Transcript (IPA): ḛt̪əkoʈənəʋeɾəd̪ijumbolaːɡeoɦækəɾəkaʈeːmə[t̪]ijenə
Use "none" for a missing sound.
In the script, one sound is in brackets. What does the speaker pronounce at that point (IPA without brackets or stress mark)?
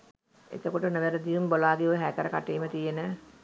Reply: t̪